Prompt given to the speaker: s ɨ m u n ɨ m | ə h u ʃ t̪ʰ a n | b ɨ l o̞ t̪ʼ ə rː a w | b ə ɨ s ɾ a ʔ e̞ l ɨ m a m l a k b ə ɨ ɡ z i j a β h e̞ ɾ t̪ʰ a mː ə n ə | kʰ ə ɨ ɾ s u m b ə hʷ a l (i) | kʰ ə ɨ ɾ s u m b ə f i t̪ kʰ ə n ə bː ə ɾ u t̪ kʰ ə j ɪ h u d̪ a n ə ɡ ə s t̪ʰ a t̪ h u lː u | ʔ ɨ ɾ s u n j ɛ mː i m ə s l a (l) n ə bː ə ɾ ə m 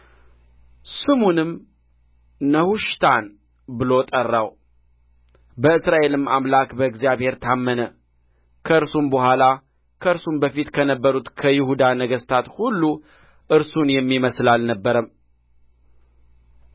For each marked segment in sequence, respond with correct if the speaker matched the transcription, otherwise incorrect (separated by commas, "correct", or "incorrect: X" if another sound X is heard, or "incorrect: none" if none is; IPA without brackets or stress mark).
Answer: incorrect: a, correct